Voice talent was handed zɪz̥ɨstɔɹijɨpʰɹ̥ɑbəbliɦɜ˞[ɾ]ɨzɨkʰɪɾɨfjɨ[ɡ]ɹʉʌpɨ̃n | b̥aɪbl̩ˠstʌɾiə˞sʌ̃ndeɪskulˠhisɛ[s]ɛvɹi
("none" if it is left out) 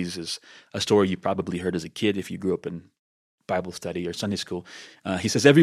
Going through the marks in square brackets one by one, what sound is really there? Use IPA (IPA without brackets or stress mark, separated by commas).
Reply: ɾ, ɡ, z